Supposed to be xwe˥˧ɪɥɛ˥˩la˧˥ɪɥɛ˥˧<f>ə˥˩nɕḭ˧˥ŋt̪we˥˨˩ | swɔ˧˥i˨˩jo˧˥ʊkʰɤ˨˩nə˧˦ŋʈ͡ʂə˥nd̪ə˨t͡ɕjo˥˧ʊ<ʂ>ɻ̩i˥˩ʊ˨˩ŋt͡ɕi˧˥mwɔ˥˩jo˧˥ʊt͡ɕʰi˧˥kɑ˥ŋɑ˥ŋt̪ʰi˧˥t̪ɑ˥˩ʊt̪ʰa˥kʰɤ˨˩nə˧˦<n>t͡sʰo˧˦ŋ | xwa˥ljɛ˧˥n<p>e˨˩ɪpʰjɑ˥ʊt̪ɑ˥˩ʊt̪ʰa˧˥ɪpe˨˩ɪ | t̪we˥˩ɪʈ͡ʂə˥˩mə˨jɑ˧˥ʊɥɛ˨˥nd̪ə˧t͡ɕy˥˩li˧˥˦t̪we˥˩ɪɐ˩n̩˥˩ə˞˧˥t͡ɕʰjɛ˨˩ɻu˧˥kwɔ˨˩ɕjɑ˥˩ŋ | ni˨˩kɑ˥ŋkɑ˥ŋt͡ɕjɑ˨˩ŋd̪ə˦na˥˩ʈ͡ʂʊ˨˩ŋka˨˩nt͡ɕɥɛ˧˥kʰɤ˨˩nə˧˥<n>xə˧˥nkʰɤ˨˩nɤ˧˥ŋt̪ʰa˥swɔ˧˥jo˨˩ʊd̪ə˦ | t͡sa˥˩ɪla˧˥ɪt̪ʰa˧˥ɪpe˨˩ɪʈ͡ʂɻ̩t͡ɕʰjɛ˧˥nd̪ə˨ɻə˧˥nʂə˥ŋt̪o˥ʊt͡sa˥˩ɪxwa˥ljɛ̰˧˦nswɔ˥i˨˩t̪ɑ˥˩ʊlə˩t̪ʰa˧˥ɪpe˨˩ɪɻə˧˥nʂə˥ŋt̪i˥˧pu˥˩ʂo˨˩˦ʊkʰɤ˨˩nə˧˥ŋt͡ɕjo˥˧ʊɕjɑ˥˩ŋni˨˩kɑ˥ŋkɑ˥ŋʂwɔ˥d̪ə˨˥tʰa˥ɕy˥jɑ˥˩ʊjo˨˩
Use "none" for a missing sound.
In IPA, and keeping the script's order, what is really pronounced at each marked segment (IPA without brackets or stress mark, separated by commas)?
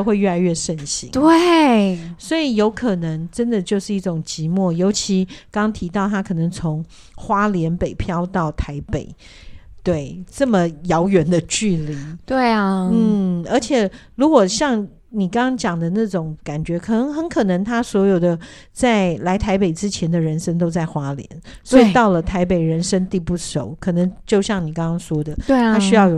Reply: ʂ, ʂ, ŋ, p, ŋ